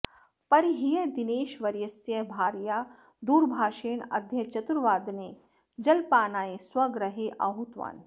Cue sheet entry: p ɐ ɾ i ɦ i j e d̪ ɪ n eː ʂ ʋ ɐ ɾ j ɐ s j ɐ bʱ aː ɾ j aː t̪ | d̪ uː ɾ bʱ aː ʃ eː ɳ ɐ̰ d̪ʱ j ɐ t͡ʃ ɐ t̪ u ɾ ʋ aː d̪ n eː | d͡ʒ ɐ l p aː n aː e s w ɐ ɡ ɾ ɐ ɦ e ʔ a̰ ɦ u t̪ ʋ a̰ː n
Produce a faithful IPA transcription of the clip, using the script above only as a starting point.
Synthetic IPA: p ɐ ɾ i ɦ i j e d̪ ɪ n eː ʃ ʋ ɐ ɾ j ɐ s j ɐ bʱ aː ɾ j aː | d̪ uː ɾ bʱ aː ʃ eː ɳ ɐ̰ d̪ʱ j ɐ t͡ʃ ɐ t̪ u ɾ ʋ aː d̪ n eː | d͡ʒ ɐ l p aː n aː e s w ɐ ɡ ɾ ɐ ɦ e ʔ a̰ ɦ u t̪ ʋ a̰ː n